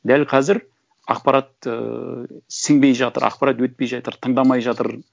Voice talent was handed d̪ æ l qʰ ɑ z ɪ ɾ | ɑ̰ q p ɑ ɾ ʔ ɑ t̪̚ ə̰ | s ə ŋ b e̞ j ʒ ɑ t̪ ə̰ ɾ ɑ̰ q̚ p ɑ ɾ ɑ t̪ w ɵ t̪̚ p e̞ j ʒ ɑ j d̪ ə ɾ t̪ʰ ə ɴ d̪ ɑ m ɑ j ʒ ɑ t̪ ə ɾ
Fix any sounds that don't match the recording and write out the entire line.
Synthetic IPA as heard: d̪ æ l qʰ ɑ z ɪ ɾ | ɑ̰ q p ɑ ɾ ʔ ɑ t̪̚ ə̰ | s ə ŋ b e̞ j ʒ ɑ t̪ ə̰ ɾ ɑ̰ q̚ p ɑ ɾ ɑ t̪ w ɵ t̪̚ p e̞ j ʒ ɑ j t̪ ə ɾ t̪ʰ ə ɴ d̪ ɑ m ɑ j ʒ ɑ t̪ ə ɾ